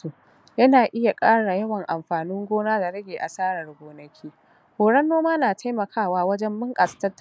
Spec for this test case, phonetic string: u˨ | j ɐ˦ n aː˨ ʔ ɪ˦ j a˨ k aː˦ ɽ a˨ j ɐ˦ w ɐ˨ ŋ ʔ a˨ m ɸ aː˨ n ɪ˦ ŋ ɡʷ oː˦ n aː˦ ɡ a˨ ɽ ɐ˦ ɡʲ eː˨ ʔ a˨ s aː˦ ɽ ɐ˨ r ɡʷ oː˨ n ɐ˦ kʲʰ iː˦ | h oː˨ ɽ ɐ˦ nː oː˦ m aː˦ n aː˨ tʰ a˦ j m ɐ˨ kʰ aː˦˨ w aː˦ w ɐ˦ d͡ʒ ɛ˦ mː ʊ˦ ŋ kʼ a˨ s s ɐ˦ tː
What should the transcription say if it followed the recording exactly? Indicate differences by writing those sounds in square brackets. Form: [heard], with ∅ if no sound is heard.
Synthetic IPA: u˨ | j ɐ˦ n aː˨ ʔ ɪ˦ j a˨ [kʼ] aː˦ ɽ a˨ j ɐ˦ w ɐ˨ ŋ ʔ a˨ m ɸ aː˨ n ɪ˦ ŋ ɡʷ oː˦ n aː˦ [d] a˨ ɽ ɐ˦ ɡʲ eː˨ ʔ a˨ s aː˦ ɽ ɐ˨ r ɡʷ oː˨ n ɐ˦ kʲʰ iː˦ | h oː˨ ɽ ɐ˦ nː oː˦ m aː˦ n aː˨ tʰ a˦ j m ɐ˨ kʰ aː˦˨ w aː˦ w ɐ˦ d͡ʒ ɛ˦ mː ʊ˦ ŋ kʼ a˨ s [t] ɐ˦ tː